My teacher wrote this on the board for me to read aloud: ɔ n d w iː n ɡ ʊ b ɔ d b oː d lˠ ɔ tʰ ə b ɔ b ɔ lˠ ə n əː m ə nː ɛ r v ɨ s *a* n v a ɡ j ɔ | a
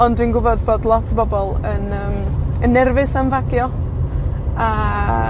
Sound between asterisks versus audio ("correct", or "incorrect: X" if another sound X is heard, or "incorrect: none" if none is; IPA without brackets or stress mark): correct